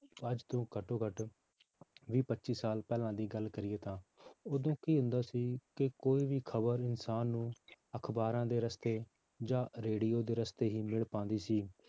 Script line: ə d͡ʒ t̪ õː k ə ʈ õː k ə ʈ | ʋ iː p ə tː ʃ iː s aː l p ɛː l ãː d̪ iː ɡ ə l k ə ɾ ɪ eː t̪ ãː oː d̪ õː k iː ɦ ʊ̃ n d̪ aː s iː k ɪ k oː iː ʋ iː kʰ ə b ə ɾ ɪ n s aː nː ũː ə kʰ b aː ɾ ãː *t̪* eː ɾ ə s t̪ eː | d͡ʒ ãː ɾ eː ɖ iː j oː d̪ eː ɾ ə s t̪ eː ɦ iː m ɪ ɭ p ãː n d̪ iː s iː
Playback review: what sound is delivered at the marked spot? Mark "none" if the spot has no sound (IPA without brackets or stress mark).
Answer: d̪